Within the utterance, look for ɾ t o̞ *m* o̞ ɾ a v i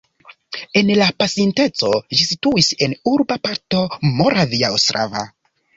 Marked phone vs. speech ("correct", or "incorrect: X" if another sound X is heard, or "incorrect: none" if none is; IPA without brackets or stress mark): correct